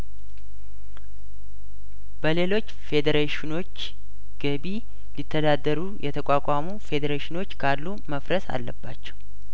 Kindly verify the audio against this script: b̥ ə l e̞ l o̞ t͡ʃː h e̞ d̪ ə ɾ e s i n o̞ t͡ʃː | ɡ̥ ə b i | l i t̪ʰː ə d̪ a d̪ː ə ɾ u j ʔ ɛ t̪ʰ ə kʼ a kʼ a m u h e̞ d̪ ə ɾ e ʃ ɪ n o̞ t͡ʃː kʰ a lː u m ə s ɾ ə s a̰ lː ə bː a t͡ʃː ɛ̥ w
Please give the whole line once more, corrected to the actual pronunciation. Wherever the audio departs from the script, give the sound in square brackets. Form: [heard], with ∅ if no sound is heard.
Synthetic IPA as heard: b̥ ə l e̞ l o̞ t͡ʃː [f] e̞ d̪ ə ɾ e [ʃ] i n o̞ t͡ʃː | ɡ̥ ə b i | l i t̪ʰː ə d̪ a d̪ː ə ɾ u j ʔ ɛ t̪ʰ ə kʼ a kʼ a m u [f] e̞ d̪ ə ɾ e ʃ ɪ n o̞ t͡ʃː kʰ a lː u m ə [f] ɾ ə s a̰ lː ə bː a t͡ʃː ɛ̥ w